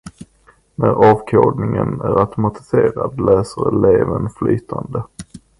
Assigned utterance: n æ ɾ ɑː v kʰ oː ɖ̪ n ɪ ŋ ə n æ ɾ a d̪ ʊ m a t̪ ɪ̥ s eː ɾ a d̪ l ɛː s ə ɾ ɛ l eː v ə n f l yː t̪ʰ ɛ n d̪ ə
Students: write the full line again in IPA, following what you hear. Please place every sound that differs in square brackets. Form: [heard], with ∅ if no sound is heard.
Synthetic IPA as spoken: n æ ɾ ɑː v kʰ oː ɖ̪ n ɪ ŋ ə n æ ɾ a [t̪] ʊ m a t̪ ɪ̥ s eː ɾ a d̪ l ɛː s ə ɾ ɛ l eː v ə n f l yː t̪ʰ [a] n d̪ ə